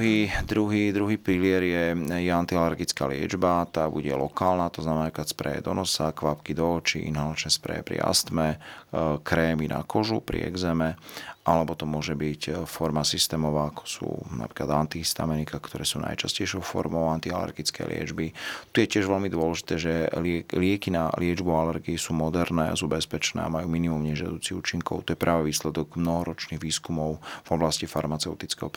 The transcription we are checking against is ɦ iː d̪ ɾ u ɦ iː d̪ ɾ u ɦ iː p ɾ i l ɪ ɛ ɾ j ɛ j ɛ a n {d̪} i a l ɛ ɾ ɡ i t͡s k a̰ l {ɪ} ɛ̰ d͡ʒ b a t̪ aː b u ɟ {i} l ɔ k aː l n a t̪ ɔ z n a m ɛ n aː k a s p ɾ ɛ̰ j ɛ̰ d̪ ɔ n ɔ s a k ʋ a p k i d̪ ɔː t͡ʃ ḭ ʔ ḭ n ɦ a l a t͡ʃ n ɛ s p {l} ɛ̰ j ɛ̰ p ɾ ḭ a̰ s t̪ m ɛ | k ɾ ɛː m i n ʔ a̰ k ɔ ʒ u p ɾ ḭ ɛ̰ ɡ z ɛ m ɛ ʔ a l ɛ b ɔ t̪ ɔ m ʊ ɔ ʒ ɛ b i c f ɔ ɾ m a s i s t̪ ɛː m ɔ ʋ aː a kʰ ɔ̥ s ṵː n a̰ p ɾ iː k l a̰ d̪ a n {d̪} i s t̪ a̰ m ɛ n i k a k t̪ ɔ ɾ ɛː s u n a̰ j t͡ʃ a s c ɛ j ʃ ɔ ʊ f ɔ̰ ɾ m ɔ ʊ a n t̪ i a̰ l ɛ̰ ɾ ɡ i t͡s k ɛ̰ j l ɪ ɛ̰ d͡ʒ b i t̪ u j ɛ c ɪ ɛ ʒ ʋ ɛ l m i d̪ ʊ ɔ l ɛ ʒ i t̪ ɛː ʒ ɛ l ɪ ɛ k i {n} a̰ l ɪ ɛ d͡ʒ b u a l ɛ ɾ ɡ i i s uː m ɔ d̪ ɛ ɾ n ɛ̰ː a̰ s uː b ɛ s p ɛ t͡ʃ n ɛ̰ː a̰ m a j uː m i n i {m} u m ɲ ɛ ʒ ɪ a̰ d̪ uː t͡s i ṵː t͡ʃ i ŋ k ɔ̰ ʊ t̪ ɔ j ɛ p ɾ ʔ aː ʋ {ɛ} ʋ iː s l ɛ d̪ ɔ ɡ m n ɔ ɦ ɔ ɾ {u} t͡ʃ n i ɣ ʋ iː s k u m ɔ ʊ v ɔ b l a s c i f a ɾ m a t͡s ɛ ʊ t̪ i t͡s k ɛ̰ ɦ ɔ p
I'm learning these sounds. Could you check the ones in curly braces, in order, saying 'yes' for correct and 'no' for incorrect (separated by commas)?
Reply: no, yes, no, no, no, yes, yes, yes, no